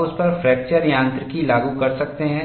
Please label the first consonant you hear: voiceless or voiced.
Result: voiceless